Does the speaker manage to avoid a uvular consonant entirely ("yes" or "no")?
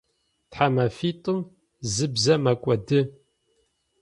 yes